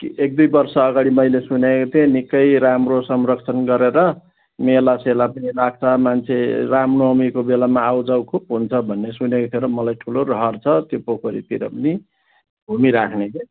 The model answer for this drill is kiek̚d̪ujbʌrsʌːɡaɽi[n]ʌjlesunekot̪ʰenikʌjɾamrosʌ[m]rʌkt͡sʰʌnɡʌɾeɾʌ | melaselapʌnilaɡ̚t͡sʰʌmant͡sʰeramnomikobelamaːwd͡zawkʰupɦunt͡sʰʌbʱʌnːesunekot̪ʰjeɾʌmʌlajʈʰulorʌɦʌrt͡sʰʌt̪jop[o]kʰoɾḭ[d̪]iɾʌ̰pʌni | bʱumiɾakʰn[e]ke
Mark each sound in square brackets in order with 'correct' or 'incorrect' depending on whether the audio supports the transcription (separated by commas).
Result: incorrect, correct, correct, incorrect, correct